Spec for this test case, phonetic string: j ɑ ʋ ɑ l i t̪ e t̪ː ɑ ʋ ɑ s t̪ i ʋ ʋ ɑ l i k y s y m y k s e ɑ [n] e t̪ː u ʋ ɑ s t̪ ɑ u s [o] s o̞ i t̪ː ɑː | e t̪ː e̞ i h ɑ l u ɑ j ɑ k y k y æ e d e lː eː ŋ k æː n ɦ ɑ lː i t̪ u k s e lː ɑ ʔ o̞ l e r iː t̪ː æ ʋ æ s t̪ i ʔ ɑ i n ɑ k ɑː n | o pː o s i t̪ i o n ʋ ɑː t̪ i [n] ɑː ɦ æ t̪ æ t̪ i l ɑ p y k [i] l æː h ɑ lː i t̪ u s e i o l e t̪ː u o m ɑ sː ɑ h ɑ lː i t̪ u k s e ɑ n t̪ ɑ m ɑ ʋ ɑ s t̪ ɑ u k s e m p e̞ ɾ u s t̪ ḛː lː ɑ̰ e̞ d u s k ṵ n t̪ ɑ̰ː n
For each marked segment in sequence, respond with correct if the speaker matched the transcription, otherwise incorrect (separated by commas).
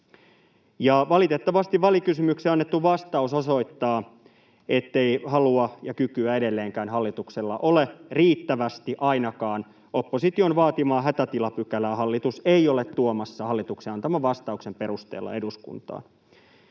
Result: incorrect, correct, incorrect, incorrect